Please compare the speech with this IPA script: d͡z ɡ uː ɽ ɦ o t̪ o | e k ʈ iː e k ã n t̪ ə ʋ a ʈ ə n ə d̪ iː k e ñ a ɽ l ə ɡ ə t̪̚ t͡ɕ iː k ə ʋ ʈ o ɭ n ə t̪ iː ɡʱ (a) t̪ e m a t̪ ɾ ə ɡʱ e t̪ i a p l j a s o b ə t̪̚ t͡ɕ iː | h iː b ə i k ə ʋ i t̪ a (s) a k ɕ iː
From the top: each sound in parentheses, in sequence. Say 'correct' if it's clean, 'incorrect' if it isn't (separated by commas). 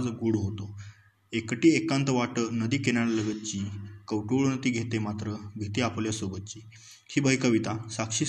incorrect, correct